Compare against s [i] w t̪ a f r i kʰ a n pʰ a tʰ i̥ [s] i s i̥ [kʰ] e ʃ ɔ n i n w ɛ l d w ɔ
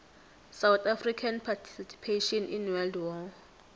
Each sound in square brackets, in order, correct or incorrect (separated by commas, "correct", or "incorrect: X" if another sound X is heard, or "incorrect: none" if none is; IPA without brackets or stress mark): incorrect: a, correct, incorrect: pʰ